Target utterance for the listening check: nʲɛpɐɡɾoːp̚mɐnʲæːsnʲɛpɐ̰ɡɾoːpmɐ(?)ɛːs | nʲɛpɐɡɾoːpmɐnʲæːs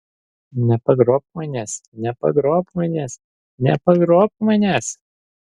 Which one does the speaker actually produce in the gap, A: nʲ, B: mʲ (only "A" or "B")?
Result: A